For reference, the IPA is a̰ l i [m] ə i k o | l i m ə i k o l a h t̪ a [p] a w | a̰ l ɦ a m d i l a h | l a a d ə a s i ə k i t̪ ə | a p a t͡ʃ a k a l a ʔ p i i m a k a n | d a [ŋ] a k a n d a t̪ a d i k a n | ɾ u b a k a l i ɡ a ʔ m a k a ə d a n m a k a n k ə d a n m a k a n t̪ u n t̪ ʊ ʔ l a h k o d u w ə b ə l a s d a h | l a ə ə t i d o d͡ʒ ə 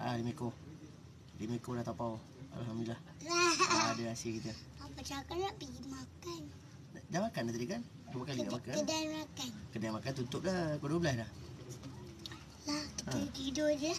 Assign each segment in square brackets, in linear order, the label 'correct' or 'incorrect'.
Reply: correct, correct, incorrect: m

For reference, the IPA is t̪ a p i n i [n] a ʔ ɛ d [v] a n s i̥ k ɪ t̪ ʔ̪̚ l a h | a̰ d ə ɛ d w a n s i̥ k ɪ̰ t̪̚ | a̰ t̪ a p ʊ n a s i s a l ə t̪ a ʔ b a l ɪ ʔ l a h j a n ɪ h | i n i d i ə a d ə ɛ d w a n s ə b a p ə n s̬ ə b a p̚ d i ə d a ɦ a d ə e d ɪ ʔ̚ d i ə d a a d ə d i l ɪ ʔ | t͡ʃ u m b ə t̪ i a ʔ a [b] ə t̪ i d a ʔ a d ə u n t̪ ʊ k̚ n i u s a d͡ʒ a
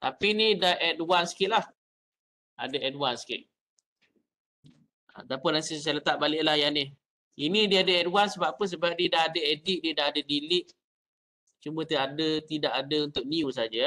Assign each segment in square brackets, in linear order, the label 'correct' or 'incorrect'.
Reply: incorrect: d, incorrect: w, incorrect: d

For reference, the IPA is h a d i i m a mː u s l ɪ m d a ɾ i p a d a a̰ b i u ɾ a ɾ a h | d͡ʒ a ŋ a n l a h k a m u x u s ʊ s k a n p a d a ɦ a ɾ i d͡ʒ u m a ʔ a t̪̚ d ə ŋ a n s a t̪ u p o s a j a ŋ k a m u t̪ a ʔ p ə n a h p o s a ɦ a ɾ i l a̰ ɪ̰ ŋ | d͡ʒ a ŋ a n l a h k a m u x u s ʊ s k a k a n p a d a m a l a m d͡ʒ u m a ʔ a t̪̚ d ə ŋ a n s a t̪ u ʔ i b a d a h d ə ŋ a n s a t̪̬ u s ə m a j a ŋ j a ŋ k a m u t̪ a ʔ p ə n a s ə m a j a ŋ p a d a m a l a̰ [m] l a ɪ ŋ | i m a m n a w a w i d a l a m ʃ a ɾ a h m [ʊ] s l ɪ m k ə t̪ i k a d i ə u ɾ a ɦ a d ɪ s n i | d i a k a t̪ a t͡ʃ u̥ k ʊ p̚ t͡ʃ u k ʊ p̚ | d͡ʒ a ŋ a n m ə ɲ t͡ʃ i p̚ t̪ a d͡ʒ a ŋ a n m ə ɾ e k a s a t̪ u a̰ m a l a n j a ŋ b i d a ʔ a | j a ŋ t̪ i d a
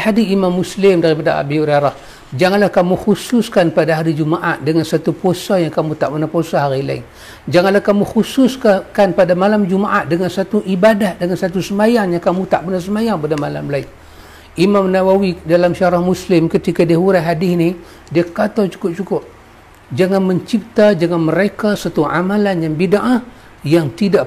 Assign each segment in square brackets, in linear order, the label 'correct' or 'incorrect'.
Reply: correct, incorrect: u

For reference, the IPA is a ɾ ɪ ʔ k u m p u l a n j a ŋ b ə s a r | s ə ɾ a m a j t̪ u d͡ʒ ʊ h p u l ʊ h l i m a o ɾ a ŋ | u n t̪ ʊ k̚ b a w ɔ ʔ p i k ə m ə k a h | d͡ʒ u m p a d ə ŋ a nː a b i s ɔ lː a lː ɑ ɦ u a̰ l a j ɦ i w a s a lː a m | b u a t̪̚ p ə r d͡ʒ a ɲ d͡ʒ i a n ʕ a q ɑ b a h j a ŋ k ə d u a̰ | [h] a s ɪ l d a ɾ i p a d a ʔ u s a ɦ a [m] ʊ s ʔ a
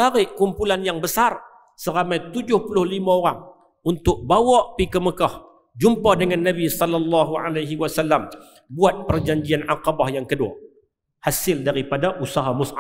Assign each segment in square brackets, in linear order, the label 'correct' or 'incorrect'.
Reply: correct, correct

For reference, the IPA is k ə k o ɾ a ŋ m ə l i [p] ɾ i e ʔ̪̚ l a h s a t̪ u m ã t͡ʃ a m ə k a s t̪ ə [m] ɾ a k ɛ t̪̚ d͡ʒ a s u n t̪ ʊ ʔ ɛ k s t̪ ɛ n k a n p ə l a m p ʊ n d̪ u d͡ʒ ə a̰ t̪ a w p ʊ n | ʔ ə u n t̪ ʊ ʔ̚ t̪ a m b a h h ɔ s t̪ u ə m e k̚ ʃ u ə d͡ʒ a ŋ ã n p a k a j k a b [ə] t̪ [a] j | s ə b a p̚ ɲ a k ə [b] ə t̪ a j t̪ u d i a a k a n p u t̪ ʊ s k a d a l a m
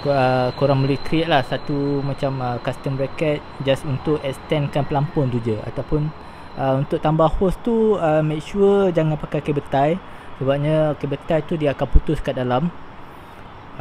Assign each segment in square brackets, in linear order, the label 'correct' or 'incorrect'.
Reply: incorrect: k, correct, correct, correct, correct

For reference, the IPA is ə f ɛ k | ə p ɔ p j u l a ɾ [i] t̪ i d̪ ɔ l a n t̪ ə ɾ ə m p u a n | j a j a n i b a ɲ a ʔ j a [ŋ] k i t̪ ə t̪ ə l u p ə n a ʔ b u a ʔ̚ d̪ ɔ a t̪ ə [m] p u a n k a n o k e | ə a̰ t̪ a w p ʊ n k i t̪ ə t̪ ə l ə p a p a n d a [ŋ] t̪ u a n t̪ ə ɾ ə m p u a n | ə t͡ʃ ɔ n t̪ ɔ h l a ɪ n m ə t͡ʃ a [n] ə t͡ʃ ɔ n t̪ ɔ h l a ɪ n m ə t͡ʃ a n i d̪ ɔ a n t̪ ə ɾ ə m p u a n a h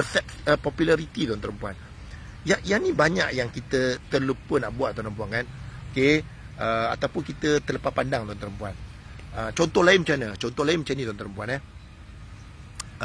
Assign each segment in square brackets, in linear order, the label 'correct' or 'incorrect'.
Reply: correct, correct, correct, correct, correct

